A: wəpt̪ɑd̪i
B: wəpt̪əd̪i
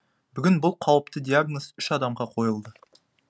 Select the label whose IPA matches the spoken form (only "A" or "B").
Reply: B